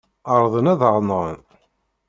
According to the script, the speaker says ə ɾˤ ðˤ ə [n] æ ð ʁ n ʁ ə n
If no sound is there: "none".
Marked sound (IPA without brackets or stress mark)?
n